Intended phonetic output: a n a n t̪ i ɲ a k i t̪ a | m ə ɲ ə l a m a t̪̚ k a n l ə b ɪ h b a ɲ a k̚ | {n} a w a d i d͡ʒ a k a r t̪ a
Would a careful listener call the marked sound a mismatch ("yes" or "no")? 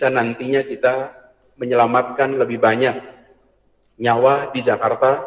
yes